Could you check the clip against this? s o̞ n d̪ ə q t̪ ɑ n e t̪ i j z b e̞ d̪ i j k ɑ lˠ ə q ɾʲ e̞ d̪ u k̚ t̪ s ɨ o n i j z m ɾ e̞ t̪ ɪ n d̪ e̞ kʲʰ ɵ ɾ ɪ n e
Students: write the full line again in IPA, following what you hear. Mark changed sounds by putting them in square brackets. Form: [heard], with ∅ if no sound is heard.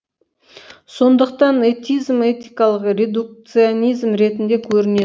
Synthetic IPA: s o̞ n d̪ ə q t̪ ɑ n e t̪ i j z [m] e̞ [t̪] i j k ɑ lˠ ə q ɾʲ e̞ d̪ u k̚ t̪ s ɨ o n i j z m ɾ e̞ t̪ ɪ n d̪ e̞ kʲʰ ɵ ɾ ɪ n e